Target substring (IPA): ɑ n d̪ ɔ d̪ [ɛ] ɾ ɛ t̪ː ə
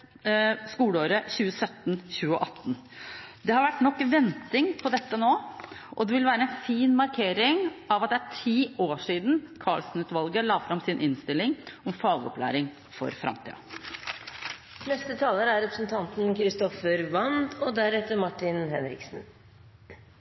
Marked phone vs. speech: incorrect: æ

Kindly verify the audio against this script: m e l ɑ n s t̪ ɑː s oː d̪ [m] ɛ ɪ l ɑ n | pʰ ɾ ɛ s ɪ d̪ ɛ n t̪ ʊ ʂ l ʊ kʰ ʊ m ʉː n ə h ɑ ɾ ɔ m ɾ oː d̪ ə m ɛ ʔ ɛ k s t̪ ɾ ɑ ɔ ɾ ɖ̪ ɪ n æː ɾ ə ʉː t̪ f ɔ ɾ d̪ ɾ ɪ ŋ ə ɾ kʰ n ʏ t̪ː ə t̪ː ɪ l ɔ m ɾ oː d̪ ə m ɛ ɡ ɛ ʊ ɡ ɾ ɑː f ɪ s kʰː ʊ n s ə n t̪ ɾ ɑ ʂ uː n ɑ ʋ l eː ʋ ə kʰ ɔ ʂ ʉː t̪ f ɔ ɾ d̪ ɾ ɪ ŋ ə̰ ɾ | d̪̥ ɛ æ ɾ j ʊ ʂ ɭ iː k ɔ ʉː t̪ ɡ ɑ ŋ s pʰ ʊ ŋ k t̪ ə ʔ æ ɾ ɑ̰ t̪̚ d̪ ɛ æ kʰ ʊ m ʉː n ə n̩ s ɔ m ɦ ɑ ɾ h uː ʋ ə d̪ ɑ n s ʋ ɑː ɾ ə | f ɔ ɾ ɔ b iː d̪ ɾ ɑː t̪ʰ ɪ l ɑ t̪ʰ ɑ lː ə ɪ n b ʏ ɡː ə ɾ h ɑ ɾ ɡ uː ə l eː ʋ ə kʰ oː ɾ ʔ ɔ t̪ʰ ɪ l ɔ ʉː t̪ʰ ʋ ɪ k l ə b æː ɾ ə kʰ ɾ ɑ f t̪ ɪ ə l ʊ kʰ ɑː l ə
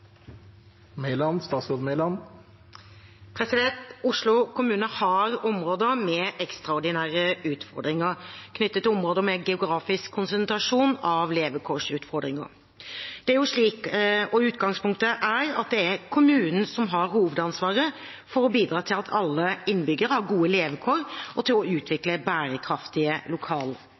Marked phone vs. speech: correct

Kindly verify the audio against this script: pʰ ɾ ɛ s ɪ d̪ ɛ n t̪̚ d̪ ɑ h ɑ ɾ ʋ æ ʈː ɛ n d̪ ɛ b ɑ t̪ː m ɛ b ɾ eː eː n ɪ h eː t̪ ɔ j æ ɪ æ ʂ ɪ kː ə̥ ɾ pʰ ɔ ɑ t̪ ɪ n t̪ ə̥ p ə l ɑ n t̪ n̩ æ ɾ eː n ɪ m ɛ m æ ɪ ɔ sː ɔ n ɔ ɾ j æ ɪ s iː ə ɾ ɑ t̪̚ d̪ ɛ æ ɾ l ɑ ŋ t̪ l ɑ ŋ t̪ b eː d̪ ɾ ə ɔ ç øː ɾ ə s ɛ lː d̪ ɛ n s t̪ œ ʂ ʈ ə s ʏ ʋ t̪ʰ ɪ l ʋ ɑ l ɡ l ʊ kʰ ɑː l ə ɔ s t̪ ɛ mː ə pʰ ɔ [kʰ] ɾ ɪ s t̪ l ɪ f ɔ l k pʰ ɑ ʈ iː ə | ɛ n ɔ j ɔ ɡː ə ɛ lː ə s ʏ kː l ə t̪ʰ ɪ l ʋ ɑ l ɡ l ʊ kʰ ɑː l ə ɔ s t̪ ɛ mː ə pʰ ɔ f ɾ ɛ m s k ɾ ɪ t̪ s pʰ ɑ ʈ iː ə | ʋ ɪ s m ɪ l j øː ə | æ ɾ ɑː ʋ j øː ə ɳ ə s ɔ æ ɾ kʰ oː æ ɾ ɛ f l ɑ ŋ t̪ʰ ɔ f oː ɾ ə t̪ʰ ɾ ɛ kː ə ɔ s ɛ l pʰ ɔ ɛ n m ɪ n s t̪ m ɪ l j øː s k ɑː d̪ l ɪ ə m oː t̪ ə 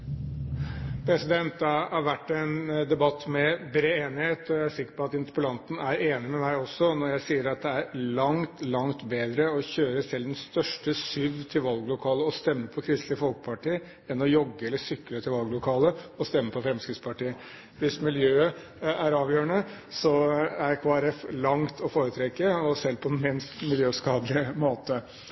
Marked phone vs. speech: correct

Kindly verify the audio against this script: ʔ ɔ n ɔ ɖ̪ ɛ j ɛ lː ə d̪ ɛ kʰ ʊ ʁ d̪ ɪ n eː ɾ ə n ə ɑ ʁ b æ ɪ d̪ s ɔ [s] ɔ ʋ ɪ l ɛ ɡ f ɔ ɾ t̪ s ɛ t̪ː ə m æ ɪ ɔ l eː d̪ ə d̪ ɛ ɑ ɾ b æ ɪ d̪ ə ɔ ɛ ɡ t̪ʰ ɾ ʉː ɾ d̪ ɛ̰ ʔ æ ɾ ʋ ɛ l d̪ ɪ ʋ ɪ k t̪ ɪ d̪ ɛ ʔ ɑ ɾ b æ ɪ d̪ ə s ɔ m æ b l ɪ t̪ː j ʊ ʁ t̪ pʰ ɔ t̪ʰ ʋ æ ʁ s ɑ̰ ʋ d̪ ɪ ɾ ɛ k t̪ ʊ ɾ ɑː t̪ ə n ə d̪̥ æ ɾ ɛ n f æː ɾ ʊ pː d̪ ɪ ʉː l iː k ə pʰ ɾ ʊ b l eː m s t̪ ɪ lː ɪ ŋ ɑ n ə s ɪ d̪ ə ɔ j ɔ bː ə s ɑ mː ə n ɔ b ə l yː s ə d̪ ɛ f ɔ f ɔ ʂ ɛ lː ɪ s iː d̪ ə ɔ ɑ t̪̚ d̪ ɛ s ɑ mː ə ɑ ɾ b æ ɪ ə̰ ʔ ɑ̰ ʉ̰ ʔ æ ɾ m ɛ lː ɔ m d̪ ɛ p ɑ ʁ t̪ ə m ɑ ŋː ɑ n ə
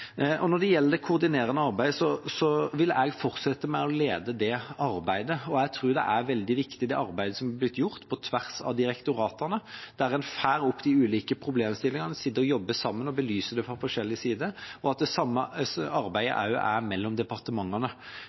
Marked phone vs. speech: correct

